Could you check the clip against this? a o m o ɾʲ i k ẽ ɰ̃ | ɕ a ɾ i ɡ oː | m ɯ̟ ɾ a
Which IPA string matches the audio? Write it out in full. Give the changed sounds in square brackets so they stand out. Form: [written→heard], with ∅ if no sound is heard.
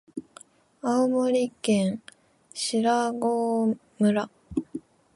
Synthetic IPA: a o m o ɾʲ i k ẽ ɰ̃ | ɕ [a→i] ɾ [i→a] ɡ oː | m ɯ̟ ɾ a